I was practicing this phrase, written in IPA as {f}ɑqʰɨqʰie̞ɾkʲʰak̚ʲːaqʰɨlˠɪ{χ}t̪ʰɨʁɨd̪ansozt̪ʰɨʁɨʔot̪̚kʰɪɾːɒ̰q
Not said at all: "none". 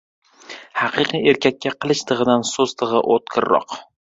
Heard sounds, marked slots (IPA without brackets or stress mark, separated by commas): h, ʃ